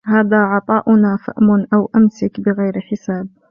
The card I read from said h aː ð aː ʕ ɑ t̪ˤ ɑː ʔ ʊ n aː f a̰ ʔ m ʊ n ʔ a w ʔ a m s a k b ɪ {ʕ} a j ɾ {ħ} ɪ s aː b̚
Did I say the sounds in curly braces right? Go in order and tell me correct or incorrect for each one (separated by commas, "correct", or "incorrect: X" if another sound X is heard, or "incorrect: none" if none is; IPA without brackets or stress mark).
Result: incorrect: ɣ, correct